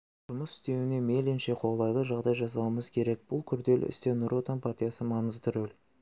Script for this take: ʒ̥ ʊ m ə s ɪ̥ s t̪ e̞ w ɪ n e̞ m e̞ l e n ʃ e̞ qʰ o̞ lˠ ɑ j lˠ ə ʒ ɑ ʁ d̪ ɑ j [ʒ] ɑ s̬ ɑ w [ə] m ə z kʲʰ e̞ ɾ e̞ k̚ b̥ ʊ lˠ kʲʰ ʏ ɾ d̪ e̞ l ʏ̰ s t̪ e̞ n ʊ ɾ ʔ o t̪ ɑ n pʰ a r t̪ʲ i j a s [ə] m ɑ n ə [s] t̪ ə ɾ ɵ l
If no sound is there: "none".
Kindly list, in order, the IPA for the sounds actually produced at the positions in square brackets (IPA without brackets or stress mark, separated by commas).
ʒ, ə, ə, z